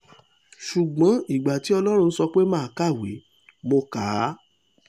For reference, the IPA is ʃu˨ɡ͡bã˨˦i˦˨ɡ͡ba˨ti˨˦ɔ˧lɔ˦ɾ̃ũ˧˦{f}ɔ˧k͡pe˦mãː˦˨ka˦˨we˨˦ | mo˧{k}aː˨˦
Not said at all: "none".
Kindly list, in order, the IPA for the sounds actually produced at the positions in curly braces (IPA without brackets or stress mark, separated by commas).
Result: s, k